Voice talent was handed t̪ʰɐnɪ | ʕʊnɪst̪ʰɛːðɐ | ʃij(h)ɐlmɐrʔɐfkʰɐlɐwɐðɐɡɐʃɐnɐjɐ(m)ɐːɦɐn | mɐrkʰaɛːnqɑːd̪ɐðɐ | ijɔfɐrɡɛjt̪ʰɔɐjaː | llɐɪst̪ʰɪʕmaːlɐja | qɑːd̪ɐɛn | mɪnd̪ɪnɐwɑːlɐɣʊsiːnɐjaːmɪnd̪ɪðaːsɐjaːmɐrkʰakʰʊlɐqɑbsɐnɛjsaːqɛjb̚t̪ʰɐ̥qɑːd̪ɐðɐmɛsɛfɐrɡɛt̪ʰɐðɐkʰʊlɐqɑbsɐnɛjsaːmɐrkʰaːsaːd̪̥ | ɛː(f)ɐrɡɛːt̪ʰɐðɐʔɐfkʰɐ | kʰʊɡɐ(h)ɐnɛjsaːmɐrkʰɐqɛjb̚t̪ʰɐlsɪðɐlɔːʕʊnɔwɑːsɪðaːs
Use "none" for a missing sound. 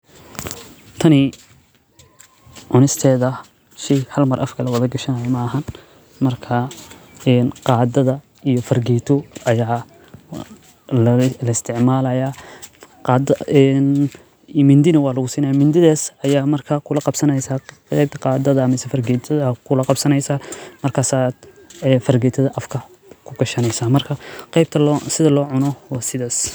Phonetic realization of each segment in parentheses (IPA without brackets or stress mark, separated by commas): h, m, f, ʃ